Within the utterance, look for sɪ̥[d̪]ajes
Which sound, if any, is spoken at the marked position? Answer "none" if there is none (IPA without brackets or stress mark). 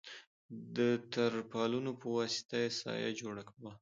t̪